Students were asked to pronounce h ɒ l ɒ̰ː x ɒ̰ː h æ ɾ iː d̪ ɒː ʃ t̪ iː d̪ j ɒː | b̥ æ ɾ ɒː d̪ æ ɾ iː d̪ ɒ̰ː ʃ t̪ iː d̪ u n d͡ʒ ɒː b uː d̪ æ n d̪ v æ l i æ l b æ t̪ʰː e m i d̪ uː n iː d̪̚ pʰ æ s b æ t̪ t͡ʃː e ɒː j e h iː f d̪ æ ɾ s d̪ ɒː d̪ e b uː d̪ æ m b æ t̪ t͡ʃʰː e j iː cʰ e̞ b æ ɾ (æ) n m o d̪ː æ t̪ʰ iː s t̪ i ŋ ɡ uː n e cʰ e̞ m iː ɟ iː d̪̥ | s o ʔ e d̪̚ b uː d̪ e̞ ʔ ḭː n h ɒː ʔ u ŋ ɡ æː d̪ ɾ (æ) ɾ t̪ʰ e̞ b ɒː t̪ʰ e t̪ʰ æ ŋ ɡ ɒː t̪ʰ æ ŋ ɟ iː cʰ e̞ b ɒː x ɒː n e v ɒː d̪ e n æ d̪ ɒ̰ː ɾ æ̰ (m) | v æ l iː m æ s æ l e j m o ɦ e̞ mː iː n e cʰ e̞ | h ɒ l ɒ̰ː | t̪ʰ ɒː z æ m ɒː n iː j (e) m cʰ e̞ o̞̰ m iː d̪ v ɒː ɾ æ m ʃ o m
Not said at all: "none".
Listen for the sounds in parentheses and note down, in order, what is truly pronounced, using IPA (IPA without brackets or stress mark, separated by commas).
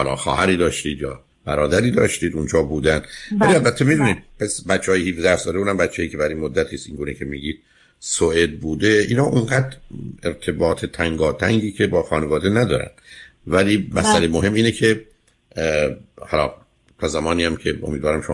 i, e, n, æ